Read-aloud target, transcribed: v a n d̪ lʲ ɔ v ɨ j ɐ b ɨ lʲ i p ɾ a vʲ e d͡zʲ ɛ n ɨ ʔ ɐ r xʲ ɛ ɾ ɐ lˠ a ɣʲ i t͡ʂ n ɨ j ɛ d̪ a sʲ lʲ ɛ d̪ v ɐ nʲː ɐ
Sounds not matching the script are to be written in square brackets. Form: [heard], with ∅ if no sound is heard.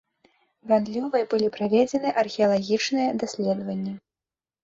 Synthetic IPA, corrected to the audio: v a n d̪ lʲ ɔ v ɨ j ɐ b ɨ lʲ i p ɾ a vʲ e d͡zʲ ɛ n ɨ ʔ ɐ r xʲ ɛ [∅] ɐ lˠ a ɣʲ i t͡ʂ n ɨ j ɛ d̪ a sʲ lʲ ɛ d̪ v ɐ nʲː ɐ